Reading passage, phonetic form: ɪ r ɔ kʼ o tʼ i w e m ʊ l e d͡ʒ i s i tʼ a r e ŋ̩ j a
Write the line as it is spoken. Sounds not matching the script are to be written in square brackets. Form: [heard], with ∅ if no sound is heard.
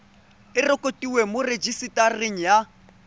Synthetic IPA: ɪ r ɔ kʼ o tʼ i w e m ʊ [r] e d͡ʒ i s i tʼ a r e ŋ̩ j a